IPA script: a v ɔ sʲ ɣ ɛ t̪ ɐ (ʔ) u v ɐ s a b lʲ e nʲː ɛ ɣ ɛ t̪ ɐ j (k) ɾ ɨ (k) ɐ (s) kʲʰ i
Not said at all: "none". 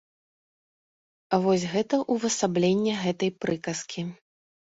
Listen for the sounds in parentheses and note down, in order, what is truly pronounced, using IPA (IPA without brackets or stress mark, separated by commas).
ʔ, p, k, s